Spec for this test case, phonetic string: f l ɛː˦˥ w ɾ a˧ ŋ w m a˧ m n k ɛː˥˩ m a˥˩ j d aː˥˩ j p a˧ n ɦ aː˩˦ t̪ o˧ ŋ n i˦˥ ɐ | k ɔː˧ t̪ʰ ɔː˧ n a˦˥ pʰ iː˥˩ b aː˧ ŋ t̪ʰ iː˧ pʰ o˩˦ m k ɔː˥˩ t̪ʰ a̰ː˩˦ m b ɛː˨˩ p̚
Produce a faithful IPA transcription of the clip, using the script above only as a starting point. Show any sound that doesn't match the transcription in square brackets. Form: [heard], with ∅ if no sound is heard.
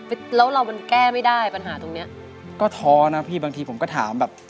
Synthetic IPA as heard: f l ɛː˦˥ w ɾ a˧ [∅] w m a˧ [∅] n k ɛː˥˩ m a˥˩ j d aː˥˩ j p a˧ n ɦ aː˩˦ t̪ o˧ ŋ n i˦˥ ɐ | k [ɔː˥˩] t̪ʰ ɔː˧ n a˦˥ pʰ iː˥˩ b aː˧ ŋ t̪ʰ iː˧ pʰ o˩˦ m k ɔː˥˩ t̪ʰ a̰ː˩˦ m b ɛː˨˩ p̚